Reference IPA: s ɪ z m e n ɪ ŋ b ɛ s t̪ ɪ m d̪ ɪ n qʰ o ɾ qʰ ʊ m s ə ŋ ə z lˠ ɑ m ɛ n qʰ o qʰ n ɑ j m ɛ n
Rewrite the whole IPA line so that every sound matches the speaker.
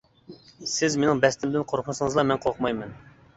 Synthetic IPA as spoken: s ɪ z m e n ɪ ŋ b ɛ s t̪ ɪ m d̪ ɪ n qʰ o ɾ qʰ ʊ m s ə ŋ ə z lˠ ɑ m ɛ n qʰ o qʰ m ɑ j m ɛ n